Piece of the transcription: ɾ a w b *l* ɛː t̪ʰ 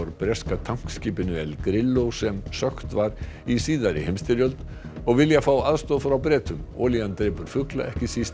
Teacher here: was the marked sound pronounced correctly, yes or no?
no